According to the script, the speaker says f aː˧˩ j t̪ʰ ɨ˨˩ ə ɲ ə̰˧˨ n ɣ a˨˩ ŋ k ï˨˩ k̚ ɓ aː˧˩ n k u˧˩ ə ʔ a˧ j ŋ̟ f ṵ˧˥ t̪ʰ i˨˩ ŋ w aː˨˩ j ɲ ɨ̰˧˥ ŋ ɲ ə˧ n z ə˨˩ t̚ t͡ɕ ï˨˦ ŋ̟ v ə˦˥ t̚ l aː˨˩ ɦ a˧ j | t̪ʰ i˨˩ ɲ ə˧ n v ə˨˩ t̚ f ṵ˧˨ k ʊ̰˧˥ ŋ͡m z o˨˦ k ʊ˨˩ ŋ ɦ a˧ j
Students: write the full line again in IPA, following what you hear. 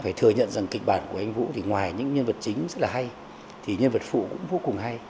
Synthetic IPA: f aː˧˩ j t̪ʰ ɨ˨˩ ə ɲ ə̰˧˨ n z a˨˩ ŋ k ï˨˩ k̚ ɓ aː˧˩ n k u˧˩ ə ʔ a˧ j ŋ̟ v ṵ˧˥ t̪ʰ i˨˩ ŋ w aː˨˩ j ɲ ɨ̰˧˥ ŋ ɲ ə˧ n v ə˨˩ t̚ t͡ɕ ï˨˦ ŋ̟ z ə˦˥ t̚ l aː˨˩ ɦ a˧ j | t̪ʰ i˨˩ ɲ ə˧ n v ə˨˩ t̚ f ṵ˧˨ k ʊ̰˧˥ ŋ͡m v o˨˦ k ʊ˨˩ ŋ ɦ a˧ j